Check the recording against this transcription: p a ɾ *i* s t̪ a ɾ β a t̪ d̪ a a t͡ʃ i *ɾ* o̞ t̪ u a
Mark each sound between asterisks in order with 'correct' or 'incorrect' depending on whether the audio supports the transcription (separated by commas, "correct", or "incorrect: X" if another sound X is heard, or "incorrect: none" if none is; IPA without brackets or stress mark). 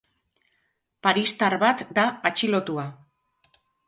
correct, incorrect: l